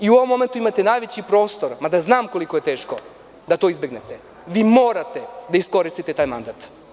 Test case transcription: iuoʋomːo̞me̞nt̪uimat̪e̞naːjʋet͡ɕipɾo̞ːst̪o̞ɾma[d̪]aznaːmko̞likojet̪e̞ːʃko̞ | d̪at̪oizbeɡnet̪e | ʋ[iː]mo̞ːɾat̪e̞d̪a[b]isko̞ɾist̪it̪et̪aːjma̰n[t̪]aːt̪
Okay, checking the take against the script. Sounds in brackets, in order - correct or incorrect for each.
correct, correct, incorrect, incorrect

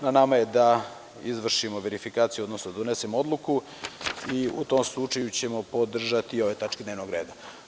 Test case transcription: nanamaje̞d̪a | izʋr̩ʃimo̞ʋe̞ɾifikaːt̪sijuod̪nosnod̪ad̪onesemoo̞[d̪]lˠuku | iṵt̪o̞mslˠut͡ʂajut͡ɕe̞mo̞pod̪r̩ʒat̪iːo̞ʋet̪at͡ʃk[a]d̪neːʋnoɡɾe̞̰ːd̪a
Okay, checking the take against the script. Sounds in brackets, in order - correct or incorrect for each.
correct, incorrect

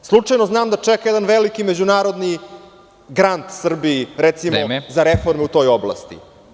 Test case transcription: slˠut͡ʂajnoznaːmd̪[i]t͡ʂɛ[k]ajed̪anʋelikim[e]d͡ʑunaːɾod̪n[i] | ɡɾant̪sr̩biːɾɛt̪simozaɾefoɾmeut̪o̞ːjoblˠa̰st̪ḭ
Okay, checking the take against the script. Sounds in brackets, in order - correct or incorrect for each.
incorrect, correct, correct, correct

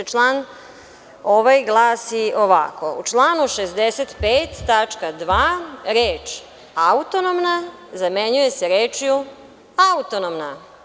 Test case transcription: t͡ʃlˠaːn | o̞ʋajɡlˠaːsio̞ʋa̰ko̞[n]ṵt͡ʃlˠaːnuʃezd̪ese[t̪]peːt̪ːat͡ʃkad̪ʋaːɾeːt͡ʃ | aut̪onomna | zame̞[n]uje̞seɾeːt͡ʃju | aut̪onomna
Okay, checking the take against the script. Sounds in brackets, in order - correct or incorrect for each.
incorrect, correct, incorrect

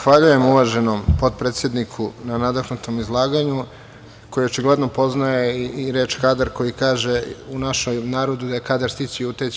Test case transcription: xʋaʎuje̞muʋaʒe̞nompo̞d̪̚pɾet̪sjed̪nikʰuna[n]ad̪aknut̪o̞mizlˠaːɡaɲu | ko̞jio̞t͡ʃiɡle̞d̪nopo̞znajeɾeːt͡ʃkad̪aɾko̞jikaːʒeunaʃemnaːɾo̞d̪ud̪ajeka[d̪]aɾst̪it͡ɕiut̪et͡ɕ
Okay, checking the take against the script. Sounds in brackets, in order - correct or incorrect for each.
correct, correct

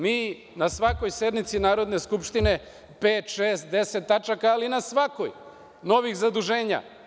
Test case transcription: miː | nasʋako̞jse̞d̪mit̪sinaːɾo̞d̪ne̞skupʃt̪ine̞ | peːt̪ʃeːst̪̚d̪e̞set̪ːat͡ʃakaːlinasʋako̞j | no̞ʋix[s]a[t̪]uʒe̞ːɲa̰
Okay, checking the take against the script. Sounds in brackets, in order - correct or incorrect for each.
incorrect, incorrect

